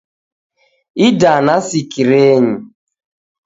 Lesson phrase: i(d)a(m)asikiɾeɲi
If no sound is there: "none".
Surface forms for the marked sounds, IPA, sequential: d, n

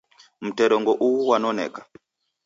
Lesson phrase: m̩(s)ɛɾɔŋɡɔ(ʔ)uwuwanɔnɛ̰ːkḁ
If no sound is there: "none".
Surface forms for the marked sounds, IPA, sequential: t, ʔ

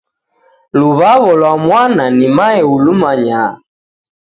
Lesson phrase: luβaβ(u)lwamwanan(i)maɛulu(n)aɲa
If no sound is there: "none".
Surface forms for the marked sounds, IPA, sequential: ɔ, i, m

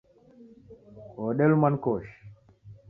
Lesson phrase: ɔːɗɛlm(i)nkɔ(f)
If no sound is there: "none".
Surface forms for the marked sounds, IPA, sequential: a, ʃ

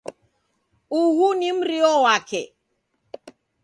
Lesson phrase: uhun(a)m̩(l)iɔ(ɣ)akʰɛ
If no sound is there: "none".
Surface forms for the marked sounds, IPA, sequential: i, ɾ, w

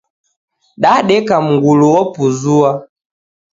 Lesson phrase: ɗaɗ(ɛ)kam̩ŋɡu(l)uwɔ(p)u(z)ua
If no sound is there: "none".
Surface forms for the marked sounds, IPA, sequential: ɛ, l, p, z

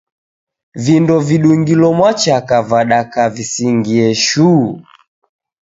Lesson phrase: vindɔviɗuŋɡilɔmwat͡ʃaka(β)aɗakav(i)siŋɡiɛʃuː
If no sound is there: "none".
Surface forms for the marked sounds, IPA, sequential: v, i

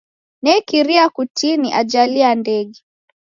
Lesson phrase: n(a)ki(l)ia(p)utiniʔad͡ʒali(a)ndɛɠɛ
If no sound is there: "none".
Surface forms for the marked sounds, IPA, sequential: ɛ, ɾ, k, a

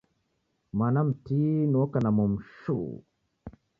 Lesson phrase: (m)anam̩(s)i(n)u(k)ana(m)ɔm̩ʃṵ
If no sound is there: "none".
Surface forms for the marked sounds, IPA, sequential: m, t, n, k, m

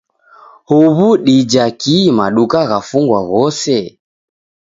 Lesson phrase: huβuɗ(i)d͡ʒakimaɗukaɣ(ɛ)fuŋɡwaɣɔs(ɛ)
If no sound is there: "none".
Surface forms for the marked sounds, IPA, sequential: i, a, ɛ

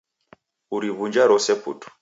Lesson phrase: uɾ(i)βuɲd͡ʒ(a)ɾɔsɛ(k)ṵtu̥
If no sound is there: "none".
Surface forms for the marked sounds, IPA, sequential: i, a, p

